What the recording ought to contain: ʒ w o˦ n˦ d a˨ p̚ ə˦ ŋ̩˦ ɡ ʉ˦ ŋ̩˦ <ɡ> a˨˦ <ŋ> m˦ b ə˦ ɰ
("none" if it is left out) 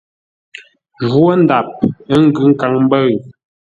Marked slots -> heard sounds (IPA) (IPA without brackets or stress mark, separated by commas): k, ŋ